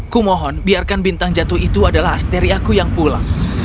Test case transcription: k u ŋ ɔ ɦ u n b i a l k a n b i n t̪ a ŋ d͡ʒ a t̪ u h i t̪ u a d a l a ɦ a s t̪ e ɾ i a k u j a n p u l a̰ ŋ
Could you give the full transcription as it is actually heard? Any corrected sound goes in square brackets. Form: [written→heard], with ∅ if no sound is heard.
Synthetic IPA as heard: k u [ŋ→m] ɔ ɦ [u→ɔ] n b i a [l→r] k a n b i n t̪ a ŋ d͡ʒ a t̪ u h i t̪ u a d a l a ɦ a s t̪ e ɾ i a k u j a [n→ŋ] p u l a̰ ŋ